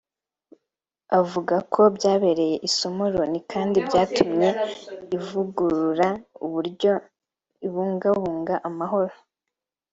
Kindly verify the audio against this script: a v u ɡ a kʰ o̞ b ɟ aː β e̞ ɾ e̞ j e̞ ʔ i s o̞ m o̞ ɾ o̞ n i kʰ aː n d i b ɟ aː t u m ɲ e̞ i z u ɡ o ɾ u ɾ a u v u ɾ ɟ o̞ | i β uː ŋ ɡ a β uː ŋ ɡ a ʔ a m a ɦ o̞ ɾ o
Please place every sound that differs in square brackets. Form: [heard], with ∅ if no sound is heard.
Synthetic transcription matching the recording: a v u ɡ a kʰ o̞ b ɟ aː β e̞ ɾ e̞ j e̞ ʔ i s o̞ m o̞ ɾ o̞ n i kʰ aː n d i b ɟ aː t u m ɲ e̞ i [v] u ɡ [u] ɾ u ɾ a u [β] u ɾ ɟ o̞ | i β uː ŋ ɡ a β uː ŋ ɡ a ʔ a m a ɦ o̞ ɾ o